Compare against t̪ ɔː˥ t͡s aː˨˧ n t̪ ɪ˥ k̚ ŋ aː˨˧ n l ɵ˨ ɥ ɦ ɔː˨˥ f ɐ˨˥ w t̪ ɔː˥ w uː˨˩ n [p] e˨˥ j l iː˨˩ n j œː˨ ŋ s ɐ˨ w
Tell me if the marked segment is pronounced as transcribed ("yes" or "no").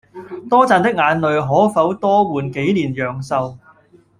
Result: no